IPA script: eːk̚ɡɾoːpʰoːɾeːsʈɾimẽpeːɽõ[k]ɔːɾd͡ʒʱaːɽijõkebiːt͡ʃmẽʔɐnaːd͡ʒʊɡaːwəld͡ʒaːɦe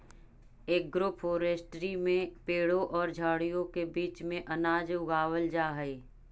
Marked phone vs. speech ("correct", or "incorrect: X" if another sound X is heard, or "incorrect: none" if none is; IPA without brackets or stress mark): incorrect: ʔ